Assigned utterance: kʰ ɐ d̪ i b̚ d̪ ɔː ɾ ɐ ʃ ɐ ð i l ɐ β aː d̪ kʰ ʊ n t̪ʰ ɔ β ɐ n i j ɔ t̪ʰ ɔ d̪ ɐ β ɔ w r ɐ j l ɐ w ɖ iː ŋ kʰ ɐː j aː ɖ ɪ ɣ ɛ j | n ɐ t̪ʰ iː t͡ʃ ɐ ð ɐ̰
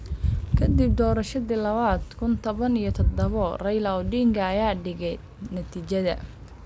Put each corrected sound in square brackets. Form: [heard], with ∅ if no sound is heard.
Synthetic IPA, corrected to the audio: kʰ ɐ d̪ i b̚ d̪ ɔː ɾ ɐ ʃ ɐ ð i l ɐ β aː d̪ kʰ ʊ n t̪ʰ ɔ β ɐ n i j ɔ t̪ʰ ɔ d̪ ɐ β ɔ [∅] r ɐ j l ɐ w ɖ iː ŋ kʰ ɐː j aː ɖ ɪ ɣ ɛ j | n ɐ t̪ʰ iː t͡ʃ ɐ ð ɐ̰